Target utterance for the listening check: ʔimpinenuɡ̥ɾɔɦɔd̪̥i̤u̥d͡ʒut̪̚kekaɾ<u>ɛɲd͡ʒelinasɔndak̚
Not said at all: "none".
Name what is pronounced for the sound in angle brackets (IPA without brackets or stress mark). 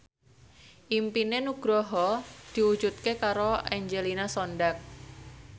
o